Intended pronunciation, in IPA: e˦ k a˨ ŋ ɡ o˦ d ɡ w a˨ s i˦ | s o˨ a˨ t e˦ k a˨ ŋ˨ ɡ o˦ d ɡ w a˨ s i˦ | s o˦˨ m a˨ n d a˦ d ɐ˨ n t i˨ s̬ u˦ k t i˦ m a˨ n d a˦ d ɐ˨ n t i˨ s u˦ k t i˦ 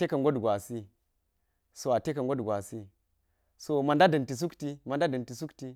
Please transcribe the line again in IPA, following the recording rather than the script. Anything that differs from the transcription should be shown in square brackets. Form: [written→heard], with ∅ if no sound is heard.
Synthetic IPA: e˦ k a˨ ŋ ɡ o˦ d ɡ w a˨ s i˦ | s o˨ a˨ t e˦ k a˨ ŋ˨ ɡ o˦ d ɡ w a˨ s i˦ | s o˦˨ m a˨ n d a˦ d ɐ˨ n t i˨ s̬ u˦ k t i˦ m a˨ n d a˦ d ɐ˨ n t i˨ s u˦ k t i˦